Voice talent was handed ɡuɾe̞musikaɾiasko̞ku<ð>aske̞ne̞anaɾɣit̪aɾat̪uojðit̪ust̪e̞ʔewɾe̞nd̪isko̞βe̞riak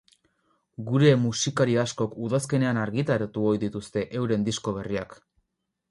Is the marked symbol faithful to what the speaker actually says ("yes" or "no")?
yes